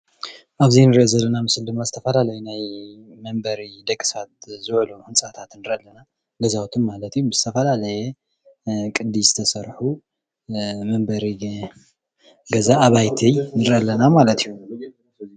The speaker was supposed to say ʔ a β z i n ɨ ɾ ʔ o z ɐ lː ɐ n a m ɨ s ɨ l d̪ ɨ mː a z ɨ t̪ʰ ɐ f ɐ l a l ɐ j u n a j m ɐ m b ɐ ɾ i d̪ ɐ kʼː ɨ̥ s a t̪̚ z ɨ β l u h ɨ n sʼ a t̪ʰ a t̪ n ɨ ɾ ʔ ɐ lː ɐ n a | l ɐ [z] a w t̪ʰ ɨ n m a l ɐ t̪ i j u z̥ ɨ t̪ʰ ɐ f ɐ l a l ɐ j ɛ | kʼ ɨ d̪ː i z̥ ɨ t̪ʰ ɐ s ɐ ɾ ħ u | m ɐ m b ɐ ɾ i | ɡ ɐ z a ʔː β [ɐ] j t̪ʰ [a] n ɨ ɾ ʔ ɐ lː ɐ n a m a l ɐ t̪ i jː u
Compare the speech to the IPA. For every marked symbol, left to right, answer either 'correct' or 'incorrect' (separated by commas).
correct, incorrect, incorrect